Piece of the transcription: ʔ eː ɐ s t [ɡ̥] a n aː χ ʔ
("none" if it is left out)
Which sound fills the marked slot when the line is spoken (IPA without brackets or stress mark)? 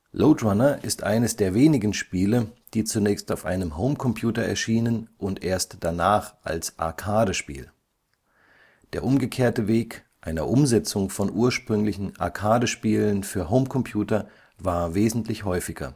d̥